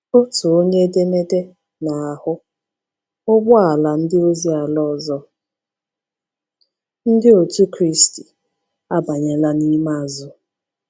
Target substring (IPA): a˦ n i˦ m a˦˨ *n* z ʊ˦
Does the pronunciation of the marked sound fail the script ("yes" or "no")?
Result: yes